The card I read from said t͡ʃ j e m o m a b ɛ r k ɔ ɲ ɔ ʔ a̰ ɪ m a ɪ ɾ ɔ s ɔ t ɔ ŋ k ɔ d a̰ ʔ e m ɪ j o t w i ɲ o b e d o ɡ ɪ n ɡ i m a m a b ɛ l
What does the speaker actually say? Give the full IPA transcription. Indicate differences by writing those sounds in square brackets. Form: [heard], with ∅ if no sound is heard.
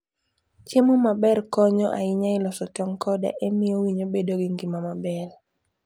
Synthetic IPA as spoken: t͡ʃ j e m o m a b ɛ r k ɔ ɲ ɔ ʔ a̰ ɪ [ɲ] a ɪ [l] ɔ s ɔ t ɔ ŋ k ɔ d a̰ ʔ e m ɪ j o [∅] w i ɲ o b e d o ɡ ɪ [ŋ] ɡ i m a m a b ɛ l